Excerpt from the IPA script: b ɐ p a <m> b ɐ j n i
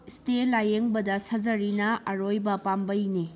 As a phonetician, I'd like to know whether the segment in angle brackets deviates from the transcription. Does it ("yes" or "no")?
no